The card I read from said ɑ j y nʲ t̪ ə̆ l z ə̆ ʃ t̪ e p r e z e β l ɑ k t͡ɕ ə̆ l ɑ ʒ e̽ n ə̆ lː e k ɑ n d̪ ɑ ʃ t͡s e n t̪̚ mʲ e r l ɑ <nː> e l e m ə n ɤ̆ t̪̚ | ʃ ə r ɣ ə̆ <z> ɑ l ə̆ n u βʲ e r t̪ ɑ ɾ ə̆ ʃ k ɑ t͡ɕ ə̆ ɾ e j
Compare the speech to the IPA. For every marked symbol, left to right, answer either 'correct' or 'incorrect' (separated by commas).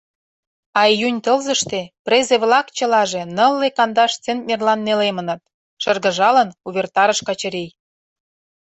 correct, incorrect